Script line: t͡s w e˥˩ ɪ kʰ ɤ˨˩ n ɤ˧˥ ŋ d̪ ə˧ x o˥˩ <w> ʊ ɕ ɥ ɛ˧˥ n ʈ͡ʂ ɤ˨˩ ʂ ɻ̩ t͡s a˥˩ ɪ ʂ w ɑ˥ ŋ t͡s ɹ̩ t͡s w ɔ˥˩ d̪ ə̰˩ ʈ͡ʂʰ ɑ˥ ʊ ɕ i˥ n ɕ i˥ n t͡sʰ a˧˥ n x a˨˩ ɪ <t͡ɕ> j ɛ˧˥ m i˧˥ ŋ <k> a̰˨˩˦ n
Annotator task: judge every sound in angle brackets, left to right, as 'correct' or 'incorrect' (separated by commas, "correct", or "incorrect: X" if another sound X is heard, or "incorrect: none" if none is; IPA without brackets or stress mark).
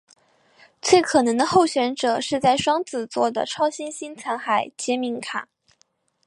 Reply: incorrect: none, correct, incorrect: kʰ